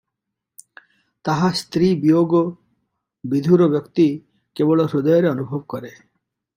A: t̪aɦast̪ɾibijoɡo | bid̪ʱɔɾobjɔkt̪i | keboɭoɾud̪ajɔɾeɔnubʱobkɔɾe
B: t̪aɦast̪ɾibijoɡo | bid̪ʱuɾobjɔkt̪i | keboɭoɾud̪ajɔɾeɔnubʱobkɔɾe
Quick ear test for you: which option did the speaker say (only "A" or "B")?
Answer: B